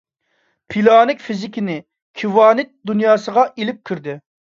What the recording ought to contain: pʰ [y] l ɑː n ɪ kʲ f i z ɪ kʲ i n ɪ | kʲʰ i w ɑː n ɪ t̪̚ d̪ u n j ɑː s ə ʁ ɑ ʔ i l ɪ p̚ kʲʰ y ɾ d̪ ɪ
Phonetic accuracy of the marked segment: incorrect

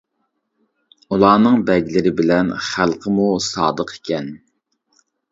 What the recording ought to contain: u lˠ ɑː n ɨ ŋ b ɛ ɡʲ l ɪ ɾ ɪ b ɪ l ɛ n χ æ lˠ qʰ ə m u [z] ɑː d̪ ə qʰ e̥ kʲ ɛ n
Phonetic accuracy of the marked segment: incorrect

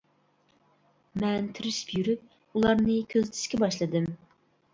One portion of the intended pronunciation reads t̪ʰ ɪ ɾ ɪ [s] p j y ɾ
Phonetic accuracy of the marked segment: incorrect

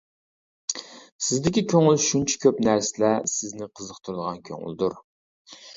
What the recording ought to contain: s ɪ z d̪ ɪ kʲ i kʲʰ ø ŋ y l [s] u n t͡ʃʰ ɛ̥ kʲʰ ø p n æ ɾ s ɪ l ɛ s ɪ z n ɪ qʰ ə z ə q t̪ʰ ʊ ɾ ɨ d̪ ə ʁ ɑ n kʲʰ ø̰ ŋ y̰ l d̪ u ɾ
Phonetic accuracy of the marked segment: incorrect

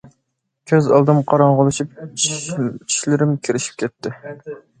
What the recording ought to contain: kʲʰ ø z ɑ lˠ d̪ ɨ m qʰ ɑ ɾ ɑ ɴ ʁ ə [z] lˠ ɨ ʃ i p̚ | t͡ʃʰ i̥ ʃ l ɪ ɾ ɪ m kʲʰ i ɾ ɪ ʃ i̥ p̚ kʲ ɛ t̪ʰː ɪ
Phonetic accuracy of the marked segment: incorrect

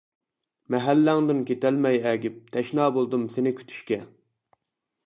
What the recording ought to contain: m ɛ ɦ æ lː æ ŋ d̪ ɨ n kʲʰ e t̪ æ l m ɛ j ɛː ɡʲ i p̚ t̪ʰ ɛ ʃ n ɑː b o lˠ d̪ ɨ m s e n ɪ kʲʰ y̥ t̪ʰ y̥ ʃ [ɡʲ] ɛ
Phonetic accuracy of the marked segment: incorrect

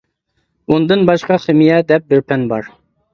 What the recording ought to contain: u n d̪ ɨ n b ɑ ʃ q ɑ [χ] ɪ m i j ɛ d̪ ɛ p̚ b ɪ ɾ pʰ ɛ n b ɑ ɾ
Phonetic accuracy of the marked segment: correct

